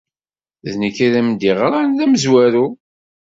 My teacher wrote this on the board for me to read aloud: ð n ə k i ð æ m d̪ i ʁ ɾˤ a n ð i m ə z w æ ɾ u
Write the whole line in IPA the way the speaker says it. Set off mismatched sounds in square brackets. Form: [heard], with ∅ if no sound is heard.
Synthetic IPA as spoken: ð n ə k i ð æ m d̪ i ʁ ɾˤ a n ð [æ] m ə z w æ ɾ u